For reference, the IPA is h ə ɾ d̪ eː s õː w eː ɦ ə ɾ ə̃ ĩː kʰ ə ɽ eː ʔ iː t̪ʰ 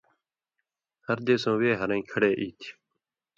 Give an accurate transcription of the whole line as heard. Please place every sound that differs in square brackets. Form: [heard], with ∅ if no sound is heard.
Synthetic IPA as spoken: h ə ɾ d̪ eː s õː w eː ɦ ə ɾ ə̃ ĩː kʰ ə ɽ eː ʔ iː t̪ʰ